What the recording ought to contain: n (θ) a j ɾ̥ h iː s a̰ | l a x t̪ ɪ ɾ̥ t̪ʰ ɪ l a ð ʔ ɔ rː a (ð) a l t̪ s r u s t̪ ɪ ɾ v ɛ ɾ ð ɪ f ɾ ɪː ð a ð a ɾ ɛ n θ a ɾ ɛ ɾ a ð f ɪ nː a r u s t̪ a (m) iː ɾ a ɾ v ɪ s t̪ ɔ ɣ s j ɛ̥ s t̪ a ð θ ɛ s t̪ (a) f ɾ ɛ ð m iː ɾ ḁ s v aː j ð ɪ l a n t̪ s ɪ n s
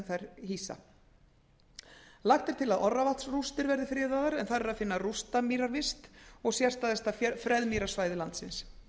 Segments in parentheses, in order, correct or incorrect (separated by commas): correct, incorrect, correct, correct